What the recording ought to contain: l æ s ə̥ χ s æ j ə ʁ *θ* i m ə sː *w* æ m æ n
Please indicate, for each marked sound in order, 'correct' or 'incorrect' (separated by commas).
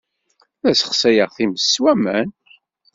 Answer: correct, correct